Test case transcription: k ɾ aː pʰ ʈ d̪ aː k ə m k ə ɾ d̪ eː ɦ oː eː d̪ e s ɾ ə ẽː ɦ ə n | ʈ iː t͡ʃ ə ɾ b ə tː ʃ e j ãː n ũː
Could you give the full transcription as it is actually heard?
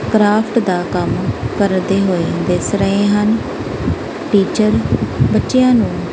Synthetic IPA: k ɾ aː pʰ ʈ d̪ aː k ə m k ə ɾ d̪ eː ɦ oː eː d̪ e s ɾ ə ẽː ɦ ə n | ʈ iː t͡ʃ ə ɾ b ə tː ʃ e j ãː n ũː